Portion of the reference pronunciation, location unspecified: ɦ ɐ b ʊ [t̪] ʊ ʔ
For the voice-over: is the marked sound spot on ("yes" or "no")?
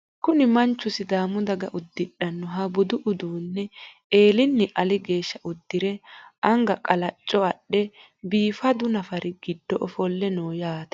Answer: no